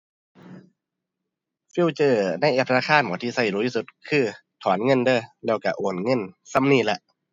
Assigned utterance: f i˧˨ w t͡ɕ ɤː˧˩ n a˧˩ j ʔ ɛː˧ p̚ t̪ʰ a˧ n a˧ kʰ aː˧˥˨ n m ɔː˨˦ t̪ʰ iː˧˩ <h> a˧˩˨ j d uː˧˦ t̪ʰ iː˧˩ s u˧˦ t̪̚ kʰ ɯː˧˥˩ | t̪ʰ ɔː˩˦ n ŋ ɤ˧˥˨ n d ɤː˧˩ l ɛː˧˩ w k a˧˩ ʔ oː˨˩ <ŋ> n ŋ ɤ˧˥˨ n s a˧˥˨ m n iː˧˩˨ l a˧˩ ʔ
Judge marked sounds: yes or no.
no, no

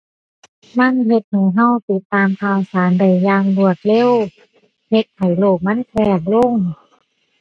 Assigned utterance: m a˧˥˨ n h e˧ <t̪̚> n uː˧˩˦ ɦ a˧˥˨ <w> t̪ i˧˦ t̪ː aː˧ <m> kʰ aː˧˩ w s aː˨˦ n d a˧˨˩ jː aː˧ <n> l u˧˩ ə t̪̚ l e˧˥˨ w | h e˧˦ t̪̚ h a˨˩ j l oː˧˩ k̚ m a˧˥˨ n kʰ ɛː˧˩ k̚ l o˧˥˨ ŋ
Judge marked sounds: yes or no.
yes, yes, yes, no

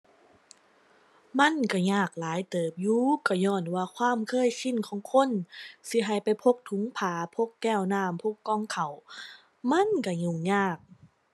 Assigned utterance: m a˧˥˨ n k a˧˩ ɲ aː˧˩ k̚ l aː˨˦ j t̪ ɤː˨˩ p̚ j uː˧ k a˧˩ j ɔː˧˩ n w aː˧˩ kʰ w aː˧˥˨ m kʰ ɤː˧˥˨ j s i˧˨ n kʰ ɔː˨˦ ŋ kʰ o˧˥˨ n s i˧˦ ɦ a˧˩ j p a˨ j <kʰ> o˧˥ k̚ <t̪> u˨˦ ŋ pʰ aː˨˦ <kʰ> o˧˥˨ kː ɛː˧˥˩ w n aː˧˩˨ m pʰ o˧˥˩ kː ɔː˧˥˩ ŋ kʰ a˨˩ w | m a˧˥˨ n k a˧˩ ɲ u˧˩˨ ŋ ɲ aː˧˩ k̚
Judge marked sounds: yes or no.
no, no, no

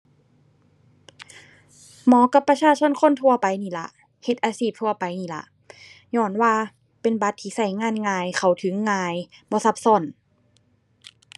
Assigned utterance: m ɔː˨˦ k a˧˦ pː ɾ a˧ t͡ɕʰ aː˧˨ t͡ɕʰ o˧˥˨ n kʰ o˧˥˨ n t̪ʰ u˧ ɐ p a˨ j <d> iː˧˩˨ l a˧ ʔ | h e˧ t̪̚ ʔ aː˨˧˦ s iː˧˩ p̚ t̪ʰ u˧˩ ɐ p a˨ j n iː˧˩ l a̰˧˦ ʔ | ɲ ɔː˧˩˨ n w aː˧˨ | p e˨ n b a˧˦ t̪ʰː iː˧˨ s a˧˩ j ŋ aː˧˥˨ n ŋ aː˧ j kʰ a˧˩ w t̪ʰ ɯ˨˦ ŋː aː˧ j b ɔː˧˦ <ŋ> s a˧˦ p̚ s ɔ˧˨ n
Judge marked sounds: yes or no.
no, no

